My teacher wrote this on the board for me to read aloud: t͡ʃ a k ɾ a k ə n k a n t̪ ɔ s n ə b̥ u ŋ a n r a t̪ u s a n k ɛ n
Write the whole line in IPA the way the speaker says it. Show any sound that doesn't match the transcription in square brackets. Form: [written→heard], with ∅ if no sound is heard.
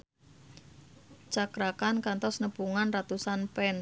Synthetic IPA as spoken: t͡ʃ a k ɾ a k [ə→a] n k a n t̪ ɔ s n ə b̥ u ŋ a n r a t̪ u s a n [k→p] ɛ n